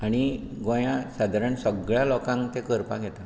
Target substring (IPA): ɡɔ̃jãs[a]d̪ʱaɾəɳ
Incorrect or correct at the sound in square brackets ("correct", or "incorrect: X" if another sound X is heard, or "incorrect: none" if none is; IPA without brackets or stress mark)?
correct